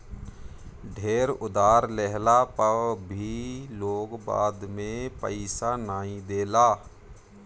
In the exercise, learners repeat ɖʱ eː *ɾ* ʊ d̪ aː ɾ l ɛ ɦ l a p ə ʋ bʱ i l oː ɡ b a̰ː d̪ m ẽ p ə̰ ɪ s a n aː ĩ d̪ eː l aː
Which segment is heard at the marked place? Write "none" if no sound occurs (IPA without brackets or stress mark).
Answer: ɾ